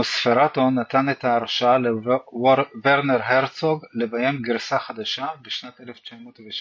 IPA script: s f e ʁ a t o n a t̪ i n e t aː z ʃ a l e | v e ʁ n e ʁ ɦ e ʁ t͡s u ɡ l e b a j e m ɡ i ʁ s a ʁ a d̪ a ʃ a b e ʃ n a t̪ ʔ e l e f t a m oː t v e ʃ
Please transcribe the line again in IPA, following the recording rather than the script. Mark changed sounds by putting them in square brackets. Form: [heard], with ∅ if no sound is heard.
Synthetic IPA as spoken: s f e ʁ a t o n a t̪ [a] n e t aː [ʁ] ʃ a l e | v e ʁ n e ʁ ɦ e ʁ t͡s [o] ɡ l e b a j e m ɡ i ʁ s a [χ] a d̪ a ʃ a b e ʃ n a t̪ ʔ e l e f [t͡ʃ] a m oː t v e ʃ